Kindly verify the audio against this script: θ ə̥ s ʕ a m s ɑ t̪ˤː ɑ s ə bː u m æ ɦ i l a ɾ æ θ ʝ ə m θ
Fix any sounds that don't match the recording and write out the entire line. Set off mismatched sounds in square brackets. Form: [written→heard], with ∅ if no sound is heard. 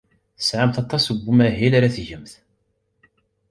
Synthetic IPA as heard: θ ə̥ s ʕ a m [s→θ] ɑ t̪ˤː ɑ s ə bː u m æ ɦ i l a ɾ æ θ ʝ ə m θ